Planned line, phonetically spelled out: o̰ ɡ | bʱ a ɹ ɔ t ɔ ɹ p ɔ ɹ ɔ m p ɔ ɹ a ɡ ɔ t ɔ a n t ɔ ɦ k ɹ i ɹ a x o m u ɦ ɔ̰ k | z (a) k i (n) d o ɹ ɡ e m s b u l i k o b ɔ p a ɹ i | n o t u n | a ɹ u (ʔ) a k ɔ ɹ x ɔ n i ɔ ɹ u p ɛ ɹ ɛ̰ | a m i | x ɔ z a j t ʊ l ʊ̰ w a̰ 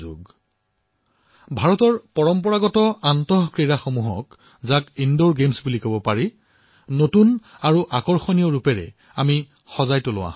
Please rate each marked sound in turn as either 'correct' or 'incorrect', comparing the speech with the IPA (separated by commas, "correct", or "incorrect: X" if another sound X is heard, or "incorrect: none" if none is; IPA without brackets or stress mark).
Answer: correct, correct, correct